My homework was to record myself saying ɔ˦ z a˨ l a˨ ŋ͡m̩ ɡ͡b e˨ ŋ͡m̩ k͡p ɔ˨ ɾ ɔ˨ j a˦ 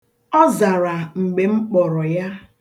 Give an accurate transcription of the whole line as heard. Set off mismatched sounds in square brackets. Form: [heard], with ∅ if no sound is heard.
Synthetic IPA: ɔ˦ z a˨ [ɾ] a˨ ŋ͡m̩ ɡ͡b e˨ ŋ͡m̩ k͡p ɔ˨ ɾ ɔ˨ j a˦

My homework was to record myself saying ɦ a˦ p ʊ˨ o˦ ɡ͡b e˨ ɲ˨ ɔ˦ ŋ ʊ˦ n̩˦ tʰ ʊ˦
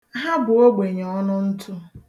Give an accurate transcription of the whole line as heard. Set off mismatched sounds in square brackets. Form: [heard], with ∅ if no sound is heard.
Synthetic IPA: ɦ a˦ [b] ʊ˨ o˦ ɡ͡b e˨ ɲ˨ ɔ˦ [n] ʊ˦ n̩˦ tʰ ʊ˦

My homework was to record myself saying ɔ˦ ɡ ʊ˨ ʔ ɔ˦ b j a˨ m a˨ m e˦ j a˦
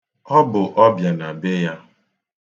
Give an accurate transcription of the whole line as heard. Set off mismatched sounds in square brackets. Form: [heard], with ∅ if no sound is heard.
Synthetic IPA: ɔ˦ [b] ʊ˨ ʔ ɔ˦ b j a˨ [n] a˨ [b] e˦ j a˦

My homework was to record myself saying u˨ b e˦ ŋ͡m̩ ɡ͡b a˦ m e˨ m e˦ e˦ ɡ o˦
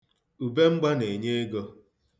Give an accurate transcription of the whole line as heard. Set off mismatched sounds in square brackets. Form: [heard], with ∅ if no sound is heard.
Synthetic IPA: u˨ b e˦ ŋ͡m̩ ɡ͡b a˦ [n] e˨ [ɲ] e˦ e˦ ɡ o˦

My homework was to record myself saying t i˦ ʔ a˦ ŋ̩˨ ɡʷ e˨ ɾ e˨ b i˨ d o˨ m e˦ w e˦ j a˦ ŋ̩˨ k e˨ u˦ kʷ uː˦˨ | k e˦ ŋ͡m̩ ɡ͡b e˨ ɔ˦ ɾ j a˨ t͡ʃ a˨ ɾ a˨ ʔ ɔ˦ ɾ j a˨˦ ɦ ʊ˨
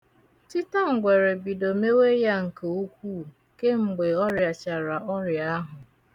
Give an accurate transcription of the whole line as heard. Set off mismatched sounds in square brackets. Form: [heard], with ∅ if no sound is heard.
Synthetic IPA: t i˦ [t] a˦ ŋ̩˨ ɡʷ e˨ ɾ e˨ b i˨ d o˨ m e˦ w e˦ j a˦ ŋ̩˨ k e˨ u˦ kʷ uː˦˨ | k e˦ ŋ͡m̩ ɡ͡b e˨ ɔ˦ ɾ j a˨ t͡ʃ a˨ ɾ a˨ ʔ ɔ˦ ɾ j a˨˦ ɦ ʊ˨

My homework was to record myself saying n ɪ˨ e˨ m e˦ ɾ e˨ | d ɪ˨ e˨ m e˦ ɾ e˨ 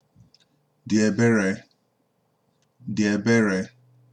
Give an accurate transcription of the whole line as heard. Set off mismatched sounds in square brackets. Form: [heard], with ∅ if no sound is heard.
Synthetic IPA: [d] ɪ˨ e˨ [b] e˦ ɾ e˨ | d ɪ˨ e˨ [b] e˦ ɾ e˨

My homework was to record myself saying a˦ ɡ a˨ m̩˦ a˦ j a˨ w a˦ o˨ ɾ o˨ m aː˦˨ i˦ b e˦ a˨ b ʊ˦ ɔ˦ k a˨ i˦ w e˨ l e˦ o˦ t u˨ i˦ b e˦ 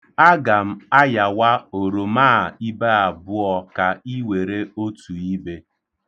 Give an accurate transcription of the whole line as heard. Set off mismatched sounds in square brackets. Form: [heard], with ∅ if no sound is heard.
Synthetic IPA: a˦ ɡ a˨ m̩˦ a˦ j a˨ w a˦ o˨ ɾ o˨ m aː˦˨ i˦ b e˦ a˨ b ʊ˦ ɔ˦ k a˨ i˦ w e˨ [ɾ] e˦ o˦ t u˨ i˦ b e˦

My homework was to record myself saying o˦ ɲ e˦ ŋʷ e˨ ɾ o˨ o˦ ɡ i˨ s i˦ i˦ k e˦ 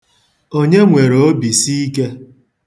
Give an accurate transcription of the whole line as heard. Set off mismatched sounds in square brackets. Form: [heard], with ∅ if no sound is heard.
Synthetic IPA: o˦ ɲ e˦ ŋʷ e˨ ɾ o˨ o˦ [b] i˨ s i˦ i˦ k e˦

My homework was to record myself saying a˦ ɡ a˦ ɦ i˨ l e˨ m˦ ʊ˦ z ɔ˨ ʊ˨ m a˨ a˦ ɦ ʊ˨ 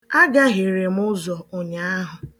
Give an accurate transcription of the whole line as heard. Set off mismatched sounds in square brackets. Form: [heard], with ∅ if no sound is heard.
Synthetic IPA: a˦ ɡ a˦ ɦ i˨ [ɾ] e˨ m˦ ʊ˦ z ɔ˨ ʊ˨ [ɲ] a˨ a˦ ɦ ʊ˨

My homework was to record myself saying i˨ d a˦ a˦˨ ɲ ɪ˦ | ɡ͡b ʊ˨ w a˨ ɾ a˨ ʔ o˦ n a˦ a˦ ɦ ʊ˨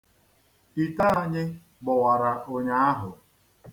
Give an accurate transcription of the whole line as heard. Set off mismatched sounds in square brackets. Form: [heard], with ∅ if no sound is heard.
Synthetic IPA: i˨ [t] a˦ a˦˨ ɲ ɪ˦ | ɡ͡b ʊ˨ w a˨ ɾ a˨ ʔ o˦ [ɲ] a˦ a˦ ɦ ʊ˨

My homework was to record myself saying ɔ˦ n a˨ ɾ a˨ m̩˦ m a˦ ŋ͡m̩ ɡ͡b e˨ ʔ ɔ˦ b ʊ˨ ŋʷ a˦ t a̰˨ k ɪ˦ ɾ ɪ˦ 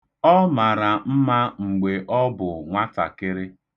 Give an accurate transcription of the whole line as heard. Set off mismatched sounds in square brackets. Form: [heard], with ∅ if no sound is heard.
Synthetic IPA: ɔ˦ [m] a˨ ɾ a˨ m̩˦ m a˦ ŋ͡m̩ ɡ͡b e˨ ʔ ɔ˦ b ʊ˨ ŋʷ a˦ t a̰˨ k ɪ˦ ɾ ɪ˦

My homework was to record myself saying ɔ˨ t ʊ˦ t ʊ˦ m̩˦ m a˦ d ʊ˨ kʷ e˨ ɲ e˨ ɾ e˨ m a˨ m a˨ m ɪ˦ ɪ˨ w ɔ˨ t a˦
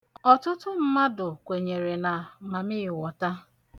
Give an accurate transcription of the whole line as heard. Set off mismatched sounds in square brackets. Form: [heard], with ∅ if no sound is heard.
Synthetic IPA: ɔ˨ t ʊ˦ t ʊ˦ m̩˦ m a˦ d ʊ˨ kʷ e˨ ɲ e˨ ɾ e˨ [n] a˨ m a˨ m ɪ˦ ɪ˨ w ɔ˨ t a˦

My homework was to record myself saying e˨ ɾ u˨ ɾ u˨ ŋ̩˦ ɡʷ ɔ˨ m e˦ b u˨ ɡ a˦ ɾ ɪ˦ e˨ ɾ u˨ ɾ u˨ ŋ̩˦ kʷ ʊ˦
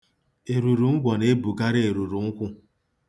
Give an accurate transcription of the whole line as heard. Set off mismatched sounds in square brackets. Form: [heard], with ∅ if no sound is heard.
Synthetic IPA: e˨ ɾ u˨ ɾ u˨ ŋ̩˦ ɡʷ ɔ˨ [n] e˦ b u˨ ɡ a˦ ɾ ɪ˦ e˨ ɾ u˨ ɾ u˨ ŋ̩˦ kʷ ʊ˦

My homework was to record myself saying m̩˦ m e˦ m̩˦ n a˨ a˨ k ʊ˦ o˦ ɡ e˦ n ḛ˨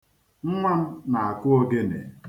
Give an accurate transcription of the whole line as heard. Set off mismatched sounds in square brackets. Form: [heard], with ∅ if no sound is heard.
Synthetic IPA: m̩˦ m [a˦] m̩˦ n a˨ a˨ k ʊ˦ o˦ ɡ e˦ n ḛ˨

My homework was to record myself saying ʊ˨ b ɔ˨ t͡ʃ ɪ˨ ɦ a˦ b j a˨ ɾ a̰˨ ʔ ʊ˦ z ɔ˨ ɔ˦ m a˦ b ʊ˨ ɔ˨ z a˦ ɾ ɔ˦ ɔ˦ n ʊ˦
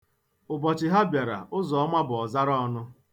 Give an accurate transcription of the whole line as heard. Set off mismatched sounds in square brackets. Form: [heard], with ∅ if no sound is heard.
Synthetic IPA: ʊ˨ b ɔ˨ t͡ʃ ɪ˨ ɦ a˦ b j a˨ ɾ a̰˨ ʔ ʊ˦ z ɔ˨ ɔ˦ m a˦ b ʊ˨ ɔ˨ z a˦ ɾ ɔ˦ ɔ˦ n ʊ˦

